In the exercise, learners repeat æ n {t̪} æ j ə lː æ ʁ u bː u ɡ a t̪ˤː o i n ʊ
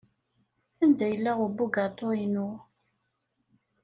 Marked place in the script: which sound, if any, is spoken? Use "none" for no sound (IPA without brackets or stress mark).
d̪